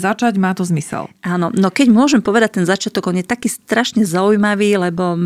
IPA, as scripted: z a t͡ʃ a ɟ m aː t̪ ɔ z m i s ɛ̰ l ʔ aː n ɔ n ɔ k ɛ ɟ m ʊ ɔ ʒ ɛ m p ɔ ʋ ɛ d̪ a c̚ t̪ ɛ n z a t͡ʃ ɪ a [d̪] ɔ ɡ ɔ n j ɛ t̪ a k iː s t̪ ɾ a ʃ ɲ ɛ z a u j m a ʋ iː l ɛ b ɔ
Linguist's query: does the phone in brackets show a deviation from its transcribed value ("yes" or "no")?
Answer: yes